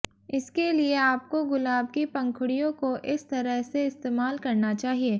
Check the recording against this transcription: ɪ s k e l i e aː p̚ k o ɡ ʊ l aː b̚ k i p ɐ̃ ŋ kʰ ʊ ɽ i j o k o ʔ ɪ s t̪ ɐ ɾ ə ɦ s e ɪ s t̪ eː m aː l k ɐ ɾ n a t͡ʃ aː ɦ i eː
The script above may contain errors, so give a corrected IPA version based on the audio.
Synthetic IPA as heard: ɪ s k e l i e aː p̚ k o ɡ ʊ l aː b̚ k i p ɐ̃ ŋ kʰ ʊ ɽ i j õ k o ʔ ɪ s t̪ ɐ ɾ ə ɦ s e ɪ s t̪ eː m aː l k ɐ ɾ n a t͡ʃ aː ɦ i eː